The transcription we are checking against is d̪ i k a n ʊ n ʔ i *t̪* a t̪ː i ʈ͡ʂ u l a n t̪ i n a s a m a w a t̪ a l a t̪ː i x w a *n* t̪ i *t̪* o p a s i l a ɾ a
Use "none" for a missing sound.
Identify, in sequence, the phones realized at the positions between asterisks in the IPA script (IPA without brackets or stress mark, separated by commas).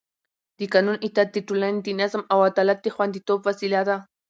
t̪, n, t̪